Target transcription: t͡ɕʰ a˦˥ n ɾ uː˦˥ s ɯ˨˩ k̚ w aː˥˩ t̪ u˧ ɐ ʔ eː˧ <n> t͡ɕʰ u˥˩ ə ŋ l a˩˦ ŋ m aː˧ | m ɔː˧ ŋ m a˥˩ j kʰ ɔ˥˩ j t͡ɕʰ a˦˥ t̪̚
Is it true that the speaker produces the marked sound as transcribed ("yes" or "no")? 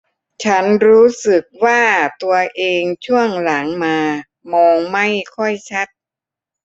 no